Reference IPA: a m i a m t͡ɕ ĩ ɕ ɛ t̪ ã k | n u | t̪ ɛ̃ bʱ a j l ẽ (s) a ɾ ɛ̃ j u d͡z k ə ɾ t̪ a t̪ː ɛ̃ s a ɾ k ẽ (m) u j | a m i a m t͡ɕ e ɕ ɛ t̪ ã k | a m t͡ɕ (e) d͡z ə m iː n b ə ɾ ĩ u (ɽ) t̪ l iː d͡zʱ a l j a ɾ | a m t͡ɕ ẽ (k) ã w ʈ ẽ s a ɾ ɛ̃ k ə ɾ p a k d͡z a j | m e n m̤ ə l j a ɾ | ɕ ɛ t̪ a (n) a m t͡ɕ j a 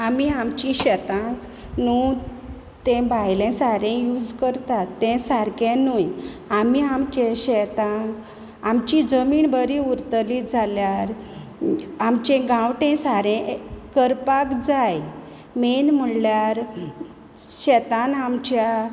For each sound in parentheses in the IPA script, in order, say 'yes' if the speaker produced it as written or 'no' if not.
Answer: yes, no, no, no, no, yes

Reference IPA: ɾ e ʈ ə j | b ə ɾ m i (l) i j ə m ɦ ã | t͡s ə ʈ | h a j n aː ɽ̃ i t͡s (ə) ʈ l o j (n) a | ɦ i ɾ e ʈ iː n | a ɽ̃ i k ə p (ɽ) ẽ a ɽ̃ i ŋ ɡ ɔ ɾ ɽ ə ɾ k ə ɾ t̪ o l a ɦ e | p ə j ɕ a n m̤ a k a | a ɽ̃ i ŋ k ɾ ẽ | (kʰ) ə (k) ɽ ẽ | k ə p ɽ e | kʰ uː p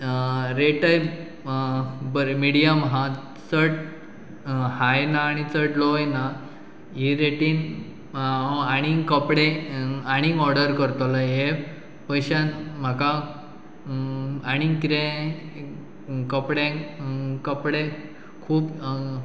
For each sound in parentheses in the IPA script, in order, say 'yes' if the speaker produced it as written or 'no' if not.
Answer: no, yes, yes, yes, no, no

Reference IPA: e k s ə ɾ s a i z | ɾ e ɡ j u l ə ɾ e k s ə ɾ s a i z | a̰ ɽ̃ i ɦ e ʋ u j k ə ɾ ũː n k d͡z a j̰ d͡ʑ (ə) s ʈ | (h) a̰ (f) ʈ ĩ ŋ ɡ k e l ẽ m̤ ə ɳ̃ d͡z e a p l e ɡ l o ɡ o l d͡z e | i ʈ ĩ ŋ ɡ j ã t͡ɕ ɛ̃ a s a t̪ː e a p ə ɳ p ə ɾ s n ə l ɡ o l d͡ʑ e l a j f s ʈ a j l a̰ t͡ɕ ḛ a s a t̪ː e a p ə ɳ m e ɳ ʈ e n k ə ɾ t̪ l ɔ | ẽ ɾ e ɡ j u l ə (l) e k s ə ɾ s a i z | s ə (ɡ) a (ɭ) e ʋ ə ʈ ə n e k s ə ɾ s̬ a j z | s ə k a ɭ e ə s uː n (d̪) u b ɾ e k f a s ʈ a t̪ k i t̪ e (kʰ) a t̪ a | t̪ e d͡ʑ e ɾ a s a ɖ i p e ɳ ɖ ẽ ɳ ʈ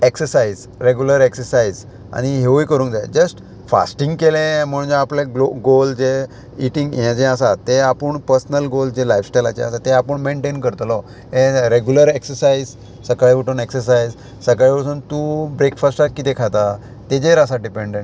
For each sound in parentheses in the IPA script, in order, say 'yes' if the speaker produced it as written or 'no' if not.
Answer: yes, no, no, no, no, yes, no, yes

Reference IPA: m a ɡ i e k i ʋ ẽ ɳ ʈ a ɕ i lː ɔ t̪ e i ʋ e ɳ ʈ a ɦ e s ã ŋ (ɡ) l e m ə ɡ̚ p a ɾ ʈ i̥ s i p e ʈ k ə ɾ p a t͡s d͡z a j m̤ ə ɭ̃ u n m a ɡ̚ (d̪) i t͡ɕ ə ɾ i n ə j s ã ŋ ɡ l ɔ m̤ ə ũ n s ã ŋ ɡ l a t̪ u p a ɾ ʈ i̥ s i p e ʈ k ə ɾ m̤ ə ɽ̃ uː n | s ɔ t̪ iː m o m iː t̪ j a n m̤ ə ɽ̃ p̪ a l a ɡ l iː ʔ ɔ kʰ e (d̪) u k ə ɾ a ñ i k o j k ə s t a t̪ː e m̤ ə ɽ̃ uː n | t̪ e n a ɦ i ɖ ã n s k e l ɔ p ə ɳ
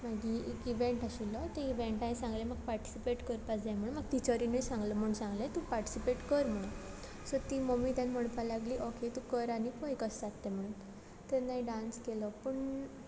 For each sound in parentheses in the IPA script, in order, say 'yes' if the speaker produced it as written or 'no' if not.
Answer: yes, no, no

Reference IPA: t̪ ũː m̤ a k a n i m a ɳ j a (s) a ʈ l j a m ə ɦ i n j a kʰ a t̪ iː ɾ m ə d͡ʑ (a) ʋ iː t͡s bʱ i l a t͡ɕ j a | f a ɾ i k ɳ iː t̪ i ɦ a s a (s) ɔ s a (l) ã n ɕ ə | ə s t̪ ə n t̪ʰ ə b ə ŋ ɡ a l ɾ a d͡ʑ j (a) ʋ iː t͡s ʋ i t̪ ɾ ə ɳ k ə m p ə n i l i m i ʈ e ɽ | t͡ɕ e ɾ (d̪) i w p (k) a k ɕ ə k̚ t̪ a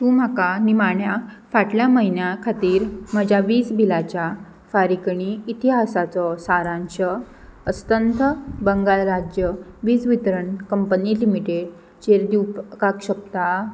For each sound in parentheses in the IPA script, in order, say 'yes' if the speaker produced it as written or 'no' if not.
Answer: no, yes, no, no, no, yes, yes

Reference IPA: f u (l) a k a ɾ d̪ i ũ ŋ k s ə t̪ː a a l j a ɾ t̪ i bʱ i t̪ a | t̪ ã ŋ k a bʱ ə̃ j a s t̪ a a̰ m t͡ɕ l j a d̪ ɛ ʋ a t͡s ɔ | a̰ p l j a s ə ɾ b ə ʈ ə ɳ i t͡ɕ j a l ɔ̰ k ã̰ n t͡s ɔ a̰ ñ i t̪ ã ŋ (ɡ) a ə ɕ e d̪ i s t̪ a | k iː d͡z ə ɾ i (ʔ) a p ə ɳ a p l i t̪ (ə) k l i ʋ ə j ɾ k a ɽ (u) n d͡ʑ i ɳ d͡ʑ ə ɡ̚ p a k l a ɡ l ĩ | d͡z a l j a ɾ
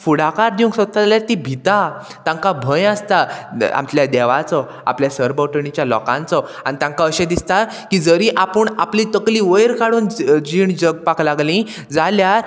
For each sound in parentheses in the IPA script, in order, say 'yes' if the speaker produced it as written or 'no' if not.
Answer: no, no, yes, yes, no

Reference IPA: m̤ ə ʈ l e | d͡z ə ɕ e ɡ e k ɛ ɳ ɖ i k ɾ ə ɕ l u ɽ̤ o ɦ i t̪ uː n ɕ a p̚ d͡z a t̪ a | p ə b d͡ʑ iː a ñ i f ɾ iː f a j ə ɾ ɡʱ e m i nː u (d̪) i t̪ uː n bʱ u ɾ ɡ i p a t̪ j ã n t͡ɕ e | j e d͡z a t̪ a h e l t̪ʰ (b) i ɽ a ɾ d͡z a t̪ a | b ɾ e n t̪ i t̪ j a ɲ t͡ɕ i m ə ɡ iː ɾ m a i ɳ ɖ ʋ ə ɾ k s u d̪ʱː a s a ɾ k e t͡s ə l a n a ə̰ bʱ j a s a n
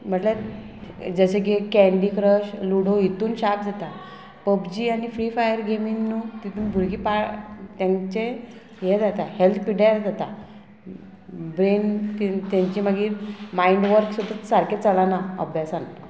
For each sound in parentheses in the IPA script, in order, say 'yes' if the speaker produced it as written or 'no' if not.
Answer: no, no

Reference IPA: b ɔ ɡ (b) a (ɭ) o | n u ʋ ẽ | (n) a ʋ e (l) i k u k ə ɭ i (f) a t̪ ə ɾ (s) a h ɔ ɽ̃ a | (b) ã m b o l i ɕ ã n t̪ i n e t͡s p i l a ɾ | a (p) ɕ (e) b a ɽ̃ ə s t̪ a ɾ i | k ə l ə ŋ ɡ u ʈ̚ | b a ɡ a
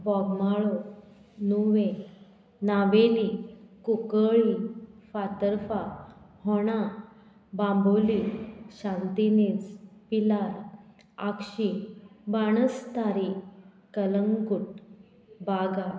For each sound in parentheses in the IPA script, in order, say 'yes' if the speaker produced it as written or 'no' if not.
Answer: no, yes, yes, yes, yes, no, yes, no, no

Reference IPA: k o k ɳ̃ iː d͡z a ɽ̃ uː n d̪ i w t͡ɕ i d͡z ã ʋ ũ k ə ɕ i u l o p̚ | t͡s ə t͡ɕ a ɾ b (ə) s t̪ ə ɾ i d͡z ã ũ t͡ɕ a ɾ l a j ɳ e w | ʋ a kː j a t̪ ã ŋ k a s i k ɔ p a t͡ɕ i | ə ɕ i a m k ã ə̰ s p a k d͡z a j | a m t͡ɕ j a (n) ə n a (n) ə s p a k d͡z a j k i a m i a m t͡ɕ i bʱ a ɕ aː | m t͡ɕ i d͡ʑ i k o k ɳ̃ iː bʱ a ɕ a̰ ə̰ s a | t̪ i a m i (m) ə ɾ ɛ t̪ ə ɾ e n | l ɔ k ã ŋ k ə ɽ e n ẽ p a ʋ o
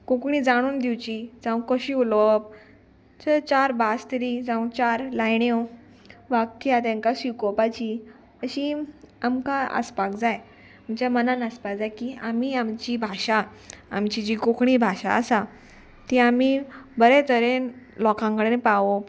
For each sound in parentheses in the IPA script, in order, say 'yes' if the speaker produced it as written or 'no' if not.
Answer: no, no, yes, no

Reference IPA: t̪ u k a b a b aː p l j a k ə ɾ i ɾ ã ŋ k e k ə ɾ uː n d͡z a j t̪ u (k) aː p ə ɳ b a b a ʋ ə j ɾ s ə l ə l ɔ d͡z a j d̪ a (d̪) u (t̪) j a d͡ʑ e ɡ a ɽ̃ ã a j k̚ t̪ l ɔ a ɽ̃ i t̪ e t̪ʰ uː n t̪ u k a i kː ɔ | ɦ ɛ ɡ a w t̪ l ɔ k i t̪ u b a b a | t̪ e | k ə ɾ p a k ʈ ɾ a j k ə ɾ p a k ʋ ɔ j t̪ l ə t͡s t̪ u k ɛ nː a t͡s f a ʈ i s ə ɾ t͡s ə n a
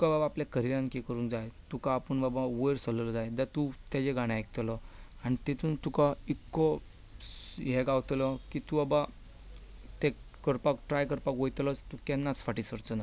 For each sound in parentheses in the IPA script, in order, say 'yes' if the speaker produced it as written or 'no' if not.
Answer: yes, no, yes

